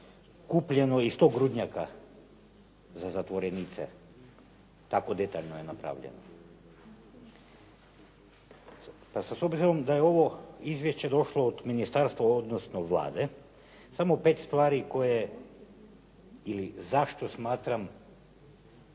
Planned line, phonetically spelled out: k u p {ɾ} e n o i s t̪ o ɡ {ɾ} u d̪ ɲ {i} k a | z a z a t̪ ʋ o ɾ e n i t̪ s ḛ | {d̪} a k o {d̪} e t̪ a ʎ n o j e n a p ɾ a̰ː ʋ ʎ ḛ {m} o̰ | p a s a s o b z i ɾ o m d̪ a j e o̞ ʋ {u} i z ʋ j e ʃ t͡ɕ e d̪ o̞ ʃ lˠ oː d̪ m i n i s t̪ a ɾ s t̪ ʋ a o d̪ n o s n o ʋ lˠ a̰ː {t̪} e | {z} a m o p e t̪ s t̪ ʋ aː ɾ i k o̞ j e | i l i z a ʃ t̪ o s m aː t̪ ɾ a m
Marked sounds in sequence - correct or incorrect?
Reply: incorrect, correct, incorrect, incorrect, correct, incorrect, incorrect, incorrect, incorrect

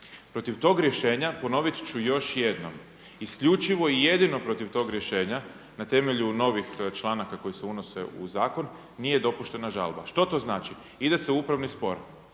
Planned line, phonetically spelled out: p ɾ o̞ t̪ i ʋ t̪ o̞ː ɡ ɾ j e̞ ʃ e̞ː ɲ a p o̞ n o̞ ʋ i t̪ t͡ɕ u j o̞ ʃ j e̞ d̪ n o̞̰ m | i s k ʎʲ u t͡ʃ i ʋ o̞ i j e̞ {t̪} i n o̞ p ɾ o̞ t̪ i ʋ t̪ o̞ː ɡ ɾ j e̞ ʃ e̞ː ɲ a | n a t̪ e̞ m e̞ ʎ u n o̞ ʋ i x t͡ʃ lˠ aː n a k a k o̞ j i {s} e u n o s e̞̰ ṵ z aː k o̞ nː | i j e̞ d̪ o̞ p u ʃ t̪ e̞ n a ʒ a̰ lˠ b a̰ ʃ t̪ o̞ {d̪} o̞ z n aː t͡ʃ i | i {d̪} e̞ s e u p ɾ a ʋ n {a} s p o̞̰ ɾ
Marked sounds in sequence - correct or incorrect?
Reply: incorrect, correct, incorrect, correct, incorrect

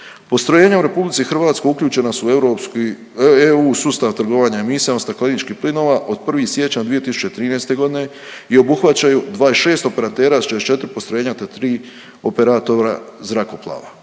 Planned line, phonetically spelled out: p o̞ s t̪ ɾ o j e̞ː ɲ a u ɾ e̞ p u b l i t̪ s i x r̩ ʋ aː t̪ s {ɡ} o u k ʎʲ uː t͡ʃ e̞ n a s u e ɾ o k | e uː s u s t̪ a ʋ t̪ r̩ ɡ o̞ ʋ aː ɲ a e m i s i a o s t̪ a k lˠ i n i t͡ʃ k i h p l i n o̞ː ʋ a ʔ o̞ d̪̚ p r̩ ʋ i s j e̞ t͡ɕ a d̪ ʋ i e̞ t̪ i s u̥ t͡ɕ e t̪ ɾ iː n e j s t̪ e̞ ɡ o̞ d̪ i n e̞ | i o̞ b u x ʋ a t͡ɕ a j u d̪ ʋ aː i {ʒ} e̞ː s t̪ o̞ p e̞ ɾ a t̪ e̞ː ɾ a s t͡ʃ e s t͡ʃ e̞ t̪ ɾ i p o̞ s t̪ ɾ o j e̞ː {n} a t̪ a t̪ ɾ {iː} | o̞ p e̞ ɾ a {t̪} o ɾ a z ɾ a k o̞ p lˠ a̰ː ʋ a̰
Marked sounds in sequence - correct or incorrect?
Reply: incorrect, incorrect, incorrect, correct, correct

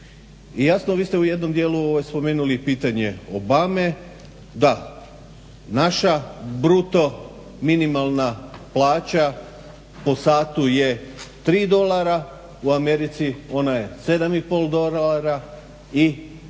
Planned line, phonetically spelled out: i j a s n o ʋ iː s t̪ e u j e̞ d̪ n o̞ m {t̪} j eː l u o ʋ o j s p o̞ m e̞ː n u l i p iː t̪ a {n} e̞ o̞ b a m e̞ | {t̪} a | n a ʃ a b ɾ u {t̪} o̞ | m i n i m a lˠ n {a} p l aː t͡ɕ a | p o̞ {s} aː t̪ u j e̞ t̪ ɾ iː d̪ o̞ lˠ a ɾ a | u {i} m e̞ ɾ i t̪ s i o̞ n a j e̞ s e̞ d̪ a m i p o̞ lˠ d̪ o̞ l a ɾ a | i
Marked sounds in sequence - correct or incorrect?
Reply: incorrect, incorrect, incorrect, correct, correct, correct, incorrect

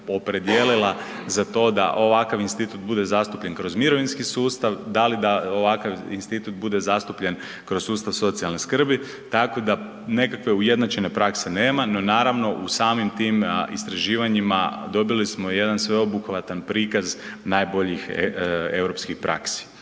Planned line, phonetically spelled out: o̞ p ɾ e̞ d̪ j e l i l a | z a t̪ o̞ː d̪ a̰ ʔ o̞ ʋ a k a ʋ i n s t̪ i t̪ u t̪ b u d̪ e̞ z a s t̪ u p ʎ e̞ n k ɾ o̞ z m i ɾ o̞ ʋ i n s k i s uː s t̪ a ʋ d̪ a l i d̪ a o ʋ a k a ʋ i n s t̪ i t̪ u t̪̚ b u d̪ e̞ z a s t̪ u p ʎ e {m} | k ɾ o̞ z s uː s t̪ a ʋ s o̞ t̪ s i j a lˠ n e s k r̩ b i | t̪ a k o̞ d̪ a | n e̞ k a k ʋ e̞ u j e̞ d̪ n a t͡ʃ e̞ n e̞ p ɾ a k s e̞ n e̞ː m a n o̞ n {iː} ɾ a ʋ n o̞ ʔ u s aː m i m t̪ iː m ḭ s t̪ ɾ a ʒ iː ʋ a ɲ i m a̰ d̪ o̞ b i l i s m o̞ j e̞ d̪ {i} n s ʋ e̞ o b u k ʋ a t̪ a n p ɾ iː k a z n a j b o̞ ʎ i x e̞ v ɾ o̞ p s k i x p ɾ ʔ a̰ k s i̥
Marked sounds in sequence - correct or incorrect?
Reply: incorrect, incorrect, incorrect

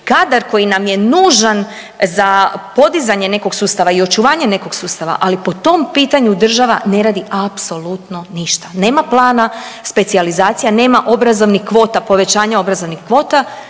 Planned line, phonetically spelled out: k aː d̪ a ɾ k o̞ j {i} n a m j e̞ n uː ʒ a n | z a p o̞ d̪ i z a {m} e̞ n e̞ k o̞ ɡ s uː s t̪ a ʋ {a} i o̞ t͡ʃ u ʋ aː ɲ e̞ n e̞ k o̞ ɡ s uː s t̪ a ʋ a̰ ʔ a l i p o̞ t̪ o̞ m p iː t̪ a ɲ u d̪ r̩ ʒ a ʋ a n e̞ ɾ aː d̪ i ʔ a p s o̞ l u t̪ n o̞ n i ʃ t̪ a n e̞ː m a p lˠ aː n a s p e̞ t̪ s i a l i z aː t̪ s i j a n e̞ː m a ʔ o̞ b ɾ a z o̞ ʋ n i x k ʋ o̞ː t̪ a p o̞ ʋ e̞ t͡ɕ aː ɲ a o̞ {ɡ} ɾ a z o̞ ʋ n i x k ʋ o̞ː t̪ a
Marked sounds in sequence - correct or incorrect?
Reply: correct, incorrect, correct, incorrect

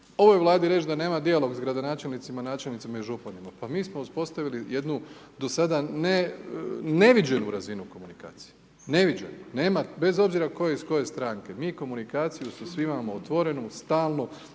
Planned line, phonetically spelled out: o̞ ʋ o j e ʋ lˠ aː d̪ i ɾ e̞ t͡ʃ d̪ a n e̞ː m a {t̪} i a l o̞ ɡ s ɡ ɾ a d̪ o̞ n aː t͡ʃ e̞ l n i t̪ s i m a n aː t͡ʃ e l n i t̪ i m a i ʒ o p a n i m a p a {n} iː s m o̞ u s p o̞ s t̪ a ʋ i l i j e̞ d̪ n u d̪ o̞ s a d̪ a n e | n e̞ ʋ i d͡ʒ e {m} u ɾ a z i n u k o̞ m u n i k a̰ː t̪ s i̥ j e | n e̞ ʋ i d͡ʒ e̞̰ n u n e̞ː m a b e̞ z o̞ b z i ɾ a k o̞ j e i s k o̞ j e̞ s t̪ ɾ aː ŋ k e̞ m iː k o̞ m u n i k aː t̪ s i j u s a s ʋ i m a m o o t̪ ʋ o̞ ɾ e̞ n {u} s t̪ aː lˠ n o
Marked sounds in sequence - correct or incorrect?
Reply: incorrect, incorrect, incorrect, correct

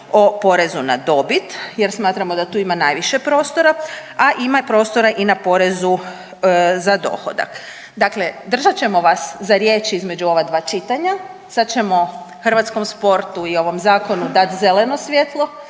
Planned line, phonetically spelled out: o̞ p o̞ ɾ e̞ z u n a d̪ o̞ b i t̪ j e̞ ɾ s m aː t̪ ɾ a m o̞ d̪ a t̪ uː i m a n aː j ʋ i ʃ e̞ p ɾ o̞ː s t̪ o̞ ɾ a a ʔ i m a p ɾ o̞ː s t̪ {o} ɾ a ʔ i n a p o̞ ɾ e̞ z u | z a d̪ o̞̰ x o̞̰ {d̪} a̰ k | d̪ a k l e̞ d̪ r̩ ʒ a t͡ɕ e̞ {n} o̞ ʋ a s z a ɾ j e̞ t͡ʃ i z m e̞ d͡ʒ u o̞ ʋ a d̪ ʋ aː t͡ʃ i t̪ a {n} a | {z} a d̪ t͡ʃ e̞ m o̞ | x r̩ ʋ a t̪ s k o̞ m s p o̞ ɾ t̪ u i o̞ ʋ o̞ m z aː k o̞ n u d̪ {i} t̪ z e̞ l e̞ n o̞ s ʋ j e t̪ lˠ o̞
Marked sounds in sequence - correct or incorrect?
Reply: correct, correct, incorrect, incorrect, incorrect, incorrect

